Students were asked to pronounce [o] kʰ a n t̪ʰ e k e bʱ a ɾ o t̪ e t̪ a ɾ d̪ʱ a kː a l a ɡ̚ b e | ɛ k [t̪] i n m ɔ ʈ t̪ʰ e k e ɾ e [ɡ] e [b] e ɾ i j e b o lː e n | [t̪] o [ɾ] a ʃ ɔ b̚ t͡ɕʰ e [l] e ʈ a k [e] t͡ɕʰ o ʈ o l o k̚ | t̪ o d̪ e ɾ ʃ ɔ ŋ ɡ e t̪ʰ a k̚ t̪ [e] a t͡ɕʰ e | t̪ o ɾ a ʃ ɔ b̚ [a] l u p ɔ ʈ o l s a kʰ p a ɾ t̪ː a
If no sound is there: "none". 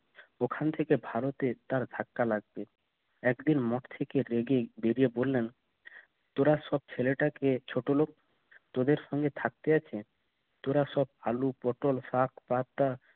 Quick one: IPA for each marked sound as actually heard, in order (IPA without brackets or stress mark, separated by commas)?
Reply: o, d̪, ɡ, b, t̪, ɾ, l, e, e, a